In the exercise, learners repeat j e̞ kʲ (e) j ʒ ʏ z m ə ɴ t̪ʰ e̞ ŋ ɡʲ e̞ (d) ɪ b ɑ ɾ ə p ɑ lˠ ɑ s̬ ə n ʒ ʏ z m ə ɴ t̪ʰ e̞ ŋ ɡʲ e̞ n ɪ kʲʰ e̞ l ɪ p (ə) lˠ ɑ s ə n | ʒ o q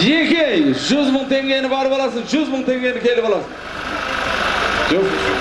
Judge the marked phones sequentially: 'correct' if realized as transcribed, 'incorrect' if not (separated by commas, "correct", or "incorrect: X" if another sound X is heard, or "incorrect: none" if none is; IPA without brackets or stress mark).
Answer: correct, incorrect: n, incorrect: ɑ